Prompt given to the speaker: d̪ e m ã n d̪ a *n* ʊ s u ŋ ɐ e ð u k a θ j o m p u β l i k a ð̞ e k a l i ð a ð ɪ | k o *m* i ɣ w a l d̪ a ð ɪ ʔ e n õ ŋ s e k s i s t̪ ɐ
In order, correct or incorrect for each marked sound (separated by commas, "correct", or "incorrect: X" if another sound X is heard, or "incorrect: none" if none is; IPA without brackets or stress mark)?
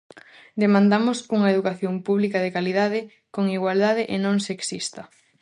incorrect: m, incorrect: ŋ